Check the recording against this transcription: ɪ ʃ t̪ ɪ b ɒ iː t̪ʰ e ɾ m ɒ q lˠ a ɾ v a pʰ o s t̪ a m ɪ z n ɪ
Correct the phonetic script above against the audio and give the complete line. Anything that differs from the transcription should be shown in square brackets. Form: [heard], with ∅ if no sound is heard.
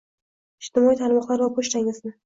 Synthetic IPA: ɪ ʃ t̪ ɪ [m] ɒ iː t̪ʰ [a] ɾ m ɒ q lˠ a ɾ v a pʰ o [ʃ] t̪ a [ŋ] ɪ z n ɪ